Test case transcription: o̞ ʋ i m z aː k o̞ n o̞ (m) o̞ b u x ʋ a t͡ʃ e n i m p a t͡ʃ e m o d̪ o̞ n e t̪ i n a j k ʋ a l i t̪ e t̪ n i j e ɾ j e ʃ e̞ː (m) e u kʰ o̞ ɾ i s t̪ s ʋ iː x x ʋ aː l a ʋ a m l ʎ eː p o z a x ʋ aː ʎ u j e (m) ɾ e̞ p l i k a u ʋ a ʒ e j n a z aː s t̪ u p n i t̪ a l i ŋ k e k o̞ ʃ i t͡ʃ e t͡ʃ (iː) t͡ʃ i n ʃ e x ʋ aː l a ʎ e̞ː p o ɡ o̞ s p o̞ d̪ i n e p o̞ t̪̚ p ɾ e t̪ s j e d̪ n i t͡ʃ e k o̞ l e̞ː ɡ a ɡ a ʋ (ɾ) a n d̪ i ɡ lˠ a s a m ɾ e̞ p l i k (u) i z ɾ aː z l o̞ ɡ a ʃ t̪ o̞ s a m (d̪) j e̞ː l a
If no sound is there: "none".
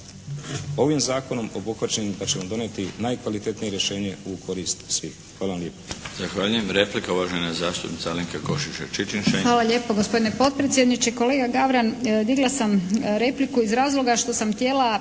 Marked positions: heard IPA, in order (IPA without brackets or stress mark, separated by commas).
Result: m, ɲ, m, i, ɾ, u, t̪